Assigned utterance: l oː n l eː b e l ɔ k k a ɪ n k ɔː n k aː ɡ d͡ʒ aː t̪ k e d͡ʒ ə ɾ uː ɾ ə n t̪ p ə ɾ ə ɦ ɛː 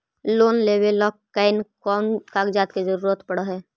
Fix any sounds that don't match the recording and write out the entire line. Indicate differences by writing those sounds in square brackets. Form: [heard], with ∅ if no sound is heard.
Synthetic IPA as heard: l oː n l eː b e l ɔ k k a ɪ n k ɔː n k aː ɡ d͡ʒ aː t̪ k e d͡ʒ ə ɾ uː ɾ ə [∅] t̪ p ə [ɽ] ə ɦ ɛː